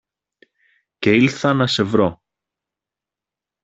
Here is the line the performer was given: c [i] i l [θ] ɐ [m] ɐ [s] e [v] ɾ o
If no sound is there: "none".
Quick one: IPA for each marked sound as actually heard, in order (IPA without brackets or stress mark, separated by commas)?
e, θ, n, s, v